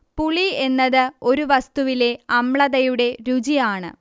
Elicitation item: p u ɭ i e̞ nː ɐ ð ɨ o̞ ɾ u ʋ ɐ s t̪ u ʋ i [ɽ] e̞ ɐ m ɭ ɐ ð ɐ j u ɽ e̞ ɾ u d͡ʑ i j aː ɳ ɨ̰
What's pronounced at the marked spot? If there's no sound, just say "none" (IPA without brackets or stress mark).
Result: l